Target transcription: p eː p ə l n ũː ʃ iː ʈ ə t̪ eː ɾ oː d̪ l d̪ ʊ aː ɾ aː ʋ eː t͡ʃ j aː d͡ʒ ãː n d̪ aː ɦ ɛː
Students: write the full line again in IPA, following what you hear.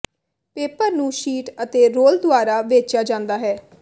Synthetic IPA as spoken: p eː p ə ɾ n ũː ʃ iː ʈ ə t̪ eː ɾ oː l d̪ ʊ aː ɾ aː ʋ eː t͡ʃ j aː d͡ʒ ãː n d̪ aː ɦ ɛː